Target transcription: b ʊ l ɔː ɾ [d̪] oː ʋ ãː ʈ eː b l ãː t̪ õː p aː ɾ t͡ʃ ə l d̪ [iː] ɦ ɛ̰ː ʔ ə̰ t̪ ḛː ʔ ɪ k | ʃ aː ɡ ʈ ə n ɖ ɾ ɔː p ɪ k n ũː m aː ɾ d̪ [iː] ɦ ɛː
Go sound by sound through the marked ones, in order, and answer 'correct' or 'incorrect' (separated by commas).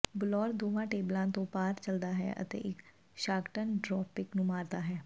correct, incorrect, incorrect